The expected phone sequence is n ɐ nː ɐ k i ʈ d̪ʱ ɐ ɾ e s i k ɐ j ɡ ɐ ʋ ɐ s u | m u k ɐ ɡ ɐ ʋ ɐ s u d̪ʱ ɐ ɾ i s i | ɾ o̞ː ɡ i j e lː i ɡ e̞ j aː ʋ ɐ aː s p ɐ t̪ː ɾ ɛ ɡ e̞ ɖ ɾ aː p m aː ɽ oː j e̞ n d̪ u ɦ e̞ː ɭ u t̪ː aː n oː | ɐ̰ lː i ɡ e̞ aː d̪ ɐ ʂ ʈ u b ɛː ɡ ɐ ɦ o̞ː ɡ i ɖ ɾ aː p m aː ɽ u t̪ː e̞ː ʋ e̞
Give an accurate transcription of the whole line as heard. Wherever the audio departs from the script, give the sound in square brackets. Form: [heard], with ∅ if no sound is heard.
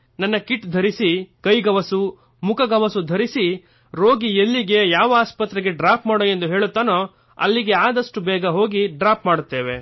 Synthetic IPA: n ɐ nː ɐ k i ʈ d̪ʱ ɐ ɾ [i] s i k ɐ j ɡ ɐ ʋ ɐ s u | m u k ɐ ɡ ɐ ʋ ɐ s u d̪ʱ ɐ ɾ i s i | ɾ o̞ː ɡ i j e lː i ɡ e̞ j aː ʋ ɐ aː s p ɐ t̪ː ɾ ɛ ɡ e̞ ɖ ɾ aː p m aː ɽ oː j e̞ n d̪ u ɦ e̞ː ɭ u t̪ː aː n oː | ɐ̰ lː i ɡ e̞ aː d̪ ɐ ʂ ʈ u b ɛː ɡ ɐ ɦ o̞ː ɡ i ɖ ɾ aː p m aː ɽ u t̪ː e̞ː ʋ e̞